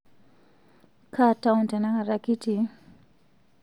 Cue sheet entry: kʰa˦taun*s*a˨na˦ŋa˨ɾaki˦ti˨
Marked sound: incorrect: t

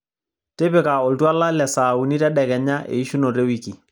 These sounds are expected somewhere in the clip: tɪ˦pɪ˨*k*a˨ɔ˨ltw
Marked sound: correct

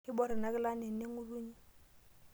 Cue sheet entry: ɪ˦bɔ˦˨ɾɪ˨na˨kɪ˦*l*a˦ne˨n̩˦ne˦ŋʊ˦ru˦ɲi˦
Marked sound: correct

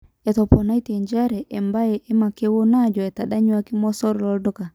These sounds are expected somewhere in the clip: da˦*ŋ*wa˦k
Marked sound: incorrect: ɲ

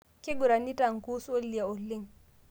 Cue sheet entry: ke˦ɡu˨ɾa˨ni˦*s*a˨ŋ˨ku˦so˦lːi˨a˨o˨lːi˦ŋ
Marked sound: incorrect: t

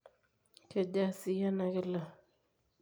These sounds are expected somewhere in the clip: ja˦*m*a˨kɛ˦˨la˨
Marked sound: incorrect: n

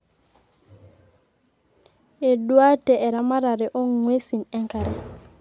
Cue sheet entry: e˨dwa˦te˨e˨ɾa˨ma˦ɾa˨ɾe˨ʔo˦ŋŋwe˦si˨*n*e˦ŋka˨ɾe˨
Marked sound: correct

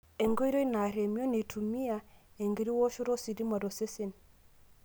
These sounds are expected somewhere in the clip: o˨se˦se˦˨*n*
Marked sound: correct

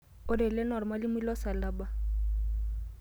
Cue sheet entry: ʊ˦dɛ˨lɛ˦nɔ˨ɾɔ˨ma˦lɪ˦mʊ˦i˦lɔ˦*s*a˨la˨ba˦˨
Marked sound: correct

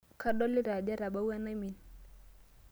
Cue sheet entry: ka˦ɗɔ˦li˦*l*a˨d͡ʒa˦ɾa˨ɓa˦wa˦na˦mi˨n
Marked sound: incorrect: ɾ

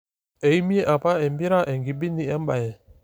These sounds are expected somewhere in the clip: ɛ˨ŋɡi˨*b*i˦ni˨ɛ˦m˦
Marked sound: correct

